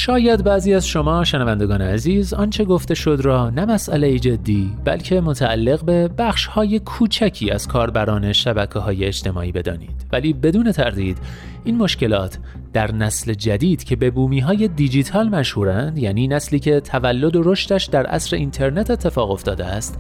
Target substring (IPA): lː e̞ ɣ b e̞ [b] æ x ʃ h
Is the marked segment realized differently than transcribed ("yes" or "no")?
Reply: no